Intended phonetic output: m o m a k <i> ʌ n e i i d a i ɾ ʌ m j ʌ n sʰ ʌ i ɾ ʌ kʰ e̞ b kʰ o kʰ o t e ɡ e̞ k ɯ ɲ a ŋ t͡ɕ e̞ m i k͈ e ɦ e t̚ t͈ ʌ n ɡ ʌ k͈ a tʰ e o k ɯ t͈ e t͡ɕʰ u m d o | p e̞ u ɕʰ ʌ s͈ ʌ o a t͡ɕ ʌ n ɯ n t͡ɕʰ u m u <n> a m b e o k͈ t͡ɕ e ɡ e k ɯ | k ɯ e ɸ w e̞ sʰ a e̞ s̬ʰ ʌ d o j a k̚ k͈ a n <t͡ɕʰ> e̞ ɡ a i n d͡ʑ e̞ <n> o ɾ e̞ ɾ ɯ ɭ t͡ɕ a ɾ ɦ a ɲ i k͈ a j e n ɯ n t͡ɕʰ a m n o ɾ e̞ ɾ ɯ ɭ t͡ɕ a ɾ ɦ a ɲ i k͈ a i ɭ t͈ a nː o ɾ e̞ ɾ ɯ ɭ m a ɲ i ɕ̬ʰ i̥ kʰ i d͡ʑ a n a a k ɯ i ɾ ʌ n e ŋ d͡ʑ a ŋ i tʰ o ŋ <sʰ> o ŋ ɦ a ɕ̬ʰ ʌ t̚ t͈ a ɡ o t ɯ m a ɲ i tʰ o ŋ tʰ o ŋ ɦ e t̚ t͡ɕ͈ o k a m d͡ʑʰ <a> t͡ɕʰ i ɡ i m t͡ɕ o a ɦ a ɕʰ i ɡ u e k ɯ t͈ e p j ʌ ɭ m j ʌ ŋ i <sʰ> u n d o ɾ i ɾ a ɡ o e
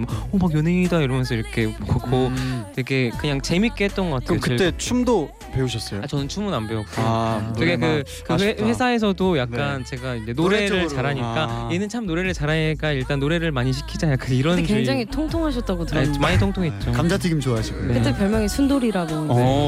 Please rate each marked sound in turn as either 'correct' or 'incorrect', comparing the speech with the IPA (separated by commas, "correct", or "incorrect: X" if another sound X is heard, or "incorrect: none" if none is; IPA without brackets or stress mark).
incorrect: j, correct, incorrect: t͡ɕ, correct, incorrect: tʰ, correct, correct